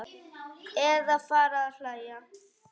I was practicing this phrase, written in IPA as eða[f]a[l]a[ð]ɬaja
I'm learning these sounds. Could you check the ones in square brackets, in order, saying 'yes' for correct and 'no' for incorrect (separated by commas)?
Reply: yes, no, no